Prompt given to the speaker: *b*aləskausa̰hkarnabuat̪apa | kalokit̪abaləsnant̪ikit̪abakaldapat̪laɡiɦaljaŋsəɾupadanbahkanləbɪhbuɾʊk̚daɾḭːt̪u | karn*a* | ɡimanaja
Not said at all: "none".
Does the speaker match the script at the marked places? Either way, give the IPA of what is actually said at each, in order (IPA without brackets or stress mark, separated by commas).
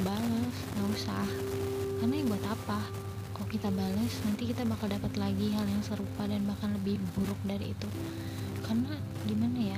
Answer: b, a